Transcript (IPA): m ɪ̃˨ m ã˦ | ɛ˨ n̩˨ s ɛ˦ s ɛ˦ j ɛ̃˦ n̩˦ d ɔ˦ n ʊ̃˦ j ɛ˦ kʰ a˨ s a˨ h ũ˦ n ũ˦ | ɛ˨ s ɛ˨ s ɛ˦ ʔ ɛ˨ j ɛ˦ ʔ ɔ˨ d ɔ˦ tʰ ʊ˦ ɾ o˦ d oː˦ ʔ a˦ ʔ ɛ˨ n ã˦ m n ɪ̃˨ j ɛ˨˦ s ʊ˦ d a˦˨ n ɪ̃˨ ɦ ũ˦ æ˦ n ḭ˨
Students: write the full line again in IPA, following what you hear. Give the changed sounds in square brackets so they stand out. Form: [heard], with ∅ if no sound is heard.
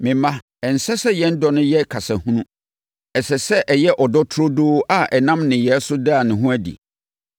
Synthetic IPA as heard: m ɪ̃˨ m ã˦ | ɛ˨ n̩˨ s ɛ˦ s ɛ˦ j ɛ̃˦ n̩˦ d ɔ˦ n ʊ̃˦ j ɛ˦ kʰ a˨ s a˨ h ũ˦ n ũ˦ | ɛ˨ s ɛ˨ s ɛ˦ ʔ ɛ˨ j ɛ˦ ʔ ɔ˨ d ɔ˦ tʰ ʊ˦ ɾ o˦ d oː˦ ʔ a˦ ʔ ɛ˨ n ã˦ m n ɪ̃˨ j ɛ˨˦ s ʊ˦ d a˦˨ n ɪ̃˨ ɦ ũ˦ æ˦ [d] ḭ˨